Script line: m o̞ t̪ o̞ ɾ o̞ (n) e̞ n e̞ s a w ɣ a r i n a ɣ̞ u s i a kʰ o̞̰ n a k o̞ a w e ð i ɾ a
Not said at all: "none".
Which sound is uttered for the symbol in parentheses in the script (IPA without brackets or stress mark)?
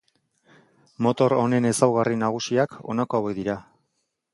n